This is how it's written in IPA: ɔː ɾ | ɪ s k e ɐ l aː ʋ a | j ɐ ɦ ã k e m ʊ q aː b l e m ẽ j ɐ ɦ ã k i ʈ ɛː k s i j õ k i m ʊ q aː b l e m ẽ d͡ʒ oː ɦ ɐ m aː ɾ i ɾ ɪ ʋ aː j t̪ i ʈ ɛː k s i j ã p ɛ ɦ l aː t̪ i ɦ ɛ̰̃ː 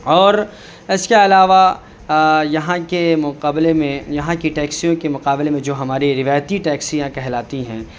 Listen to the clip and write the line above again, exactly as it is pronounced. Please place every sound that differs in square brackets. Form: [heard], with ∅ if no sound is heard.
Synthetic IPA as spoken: ɔː ɾ | ɪ s k e ɐ l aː ʋ a | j ɐ ɦ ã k e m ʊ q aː b l e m ẽ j ɐ ɦ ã k i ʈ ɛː k s i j õ k [e] m ʊ q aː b l e m ẽ d͡ʒ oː ɦ ɐ m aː ɾ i ɾ ɪ ʋ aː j t̪ i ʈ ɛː k s i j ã [k] ɛ ɦ l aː t̪ i ɦ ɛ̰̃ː